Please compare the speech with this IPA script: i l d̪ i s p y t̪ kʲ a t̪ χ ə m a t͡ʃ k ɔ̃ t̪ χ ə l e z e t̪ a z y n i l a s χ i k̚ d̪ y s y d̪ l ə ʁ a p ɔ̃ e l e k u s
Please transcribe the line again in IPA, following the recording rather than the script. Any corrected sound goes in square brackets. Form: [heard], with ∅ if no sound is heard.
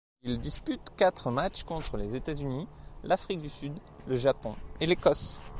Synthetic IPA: i l d̪ i s p y t̪ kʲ a t̪ χ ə m a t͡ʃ k ɔ̃ t̪ χ ə l e z e t̪ a z y n i l a [f] χ i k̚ d̪ y s y d̪ l ə [ʒ] a p ɔ̃ e l e k [ɔ] s